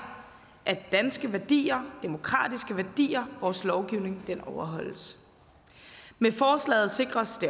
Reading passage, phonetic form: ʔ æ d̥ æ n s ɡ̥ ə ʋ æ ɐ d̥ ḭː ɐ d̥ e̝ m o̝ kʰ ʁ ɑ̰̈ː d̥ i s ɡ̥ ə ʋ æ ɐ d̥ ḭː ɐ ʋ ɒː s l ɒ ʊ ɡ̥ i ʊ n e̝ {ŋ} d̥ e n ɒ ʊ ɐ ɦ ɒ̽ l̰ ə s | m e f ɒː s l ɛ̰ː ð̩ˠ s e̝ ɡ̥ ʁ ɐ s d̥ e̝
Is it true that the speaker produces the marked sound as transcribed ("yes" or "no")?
yes